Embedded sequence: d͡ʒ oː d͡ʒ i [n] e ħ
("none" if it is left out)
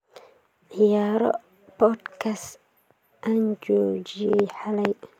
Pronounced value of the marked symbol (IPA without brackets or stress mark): none